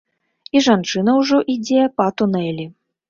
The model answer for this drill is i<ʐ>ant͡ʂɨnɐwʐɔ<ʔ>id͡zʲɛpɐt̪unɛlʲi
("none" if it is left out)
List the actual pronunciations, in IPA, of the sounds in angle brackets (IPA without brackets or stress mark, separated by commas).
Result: ʐ, ʔ